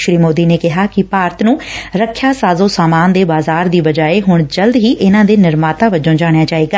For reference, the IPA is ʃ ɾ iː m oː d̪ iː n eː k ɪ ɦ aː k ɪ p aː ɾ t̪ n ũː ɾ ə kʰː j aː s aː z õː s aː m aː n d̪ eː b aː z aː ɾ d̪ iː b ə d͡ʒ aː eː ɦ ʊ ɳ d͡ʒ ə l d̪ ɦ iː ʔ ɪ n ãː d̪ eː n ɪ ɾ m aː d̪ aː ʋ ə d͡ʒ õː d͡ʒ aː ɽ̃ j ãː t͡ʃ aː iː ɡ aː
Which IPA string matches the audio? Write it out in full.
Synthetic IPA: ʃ ɾ iː m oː d̪ iː n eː k ɪ ɦ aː k ɪ p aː ɾ t̪ n ũː ɾ ə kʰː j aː s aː z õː s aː m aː n d̪ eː b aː z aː ɾ d̪ iː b ə d͡ʒ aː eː ɦ ʊ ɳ d͡ʒ ə l d̪ ɦ iː ʔ ɪ n ãː d̪ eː n ɪ ɾ m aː t̪ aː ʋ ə d͡ʒ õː d͡ʒ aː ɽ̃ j aː t͡ʃ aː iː ɡ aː